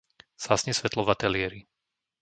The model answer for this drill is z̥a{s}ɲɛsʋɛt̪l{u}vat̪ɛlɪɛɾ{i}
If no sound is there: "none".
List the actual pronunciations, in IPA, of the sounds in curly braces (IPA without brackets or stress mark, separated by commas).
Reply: s, ɔ, i